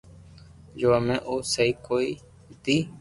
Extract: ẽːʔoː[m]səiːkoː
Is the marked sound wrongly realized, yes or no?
yes